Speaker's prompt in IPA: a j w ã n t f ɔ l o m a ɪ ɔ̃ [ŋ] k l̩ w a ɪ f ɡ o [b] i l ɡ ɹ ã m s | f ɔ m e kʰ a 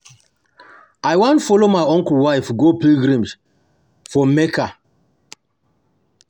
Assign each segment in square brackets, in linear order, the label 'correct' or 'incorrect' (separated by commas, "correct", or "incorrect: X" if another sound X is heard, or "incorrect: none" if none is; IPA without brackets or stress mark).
correct, incorrect: p